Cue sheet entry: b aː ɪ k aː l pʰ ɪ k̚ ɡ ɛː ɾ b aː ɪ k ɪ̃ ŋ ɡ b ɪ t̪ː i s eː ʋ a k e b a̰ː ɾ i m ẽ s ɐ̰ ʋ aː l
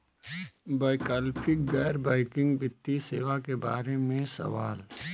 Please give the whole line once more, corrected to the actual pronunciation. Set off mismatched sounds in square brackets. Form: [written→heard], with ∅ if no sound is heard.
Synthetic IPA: b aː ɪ k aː l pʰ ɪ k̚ ɡ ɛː ɾ b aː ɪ k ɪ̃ ŋ ɡ b ɪ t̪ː i s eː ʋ a k e b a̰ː ɾ [i→e] m ẽ s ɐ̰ ʋ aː l